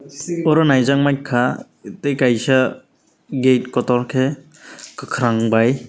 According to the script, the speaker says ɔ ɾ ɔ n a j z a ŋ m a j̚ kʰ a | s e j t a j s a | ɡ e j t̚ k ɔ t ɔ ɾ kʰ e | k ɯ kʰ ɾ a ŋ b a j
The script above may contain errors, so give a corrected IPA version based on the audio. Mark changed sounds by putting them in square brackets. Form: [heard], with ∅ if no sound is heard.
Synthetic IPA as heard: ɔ ɾ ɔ n a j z a ŋ m a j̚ kʰ a | [t] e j [k] a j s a | ɡ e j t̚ k ɔ t ɔ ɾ kʰ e | k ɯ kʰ ɾ a ŋ b a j